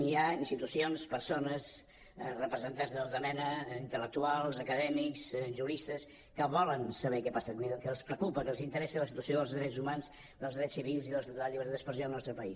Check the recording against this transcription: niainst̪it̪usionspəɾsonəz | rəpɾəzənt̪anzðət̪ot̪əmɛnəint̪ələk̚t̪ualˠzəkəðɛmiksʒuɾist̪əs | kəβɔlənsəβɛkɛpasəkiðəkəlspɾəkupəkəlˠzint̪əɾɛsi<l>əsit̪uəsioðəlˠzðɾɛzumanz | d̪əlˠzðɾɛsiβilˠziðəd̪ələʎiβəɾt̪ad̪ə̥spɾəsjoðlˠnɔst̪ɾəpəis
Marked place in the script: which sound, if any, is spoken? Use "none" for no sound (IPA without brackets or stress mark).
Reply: l